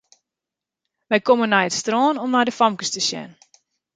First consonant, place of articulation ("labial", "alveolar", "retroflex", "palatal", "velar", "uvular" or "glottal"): labial